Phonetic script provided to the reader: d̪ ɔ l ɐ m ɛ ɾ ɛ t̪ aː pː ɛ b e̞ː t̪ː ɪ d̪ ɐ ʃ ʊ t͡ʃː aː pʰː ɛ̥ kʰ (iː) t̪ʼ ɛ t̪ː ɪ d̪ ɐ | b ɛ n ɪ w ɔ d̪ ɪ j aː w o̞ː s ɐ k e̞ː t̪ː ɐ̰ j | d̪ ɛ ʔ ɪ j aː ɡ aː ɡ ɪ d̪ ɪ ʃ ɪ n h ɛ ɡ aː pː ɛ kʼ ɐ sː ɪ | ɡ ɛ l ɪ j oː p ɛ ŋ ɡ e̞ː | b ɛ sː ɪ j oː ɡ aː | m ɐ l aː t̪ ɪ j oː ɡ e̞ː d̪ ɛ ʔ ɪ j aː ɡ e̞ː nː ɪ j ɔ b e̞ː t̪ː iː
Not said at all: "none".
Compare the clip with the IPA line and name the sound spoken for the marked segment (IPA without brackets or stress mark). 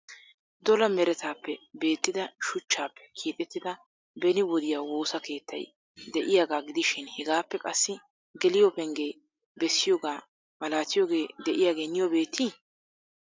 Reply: iː